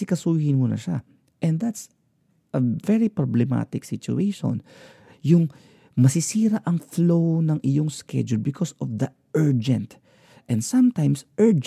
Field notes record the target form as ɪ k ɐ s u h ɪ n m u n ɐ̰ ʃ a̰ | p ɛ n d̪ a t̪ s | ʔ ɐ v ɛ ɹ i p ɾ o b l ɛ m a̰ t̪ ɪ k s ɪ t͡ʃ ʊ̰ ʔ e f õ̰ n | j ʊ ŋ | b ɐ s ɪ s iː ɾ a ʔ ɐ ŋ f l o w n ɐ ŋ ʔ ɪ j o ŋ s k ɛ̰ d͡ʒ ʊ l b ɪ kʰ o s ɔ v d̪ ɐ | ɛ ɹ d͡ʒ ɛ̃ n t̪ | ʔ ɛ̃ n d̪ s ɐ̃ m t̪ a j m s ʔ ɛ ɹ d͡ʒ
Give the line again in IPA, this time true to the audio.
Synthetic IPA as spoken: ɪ k ɐ s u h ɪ n m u n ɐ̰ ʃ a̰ | ʔ ɛ n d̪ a t̪ s | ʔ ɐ v ɛ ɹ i p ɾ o b l ɛ m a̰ t̪ ɪ k s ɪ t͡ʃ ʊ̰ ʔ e ʃ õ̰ n | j ʊ ŋ | m ɐ s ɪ s iː ɾ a ʔ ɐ ŋ f l o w n ɐ ŋ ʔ ɪ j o ŋ s k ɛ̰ d͡ʒ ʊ l b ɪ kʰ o s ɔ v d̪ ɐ | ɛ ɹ d͡ʒ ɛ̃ n t̪ | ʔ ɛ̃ n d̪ s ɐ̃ m t̪ a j m s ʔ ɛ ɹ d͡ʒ